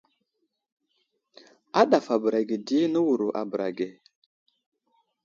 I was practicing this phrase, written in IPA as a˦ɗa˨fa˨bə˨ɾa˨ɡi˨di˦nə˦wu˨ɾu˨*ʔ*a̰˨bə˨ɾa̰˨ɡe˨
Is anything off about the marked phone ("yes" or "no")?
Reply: no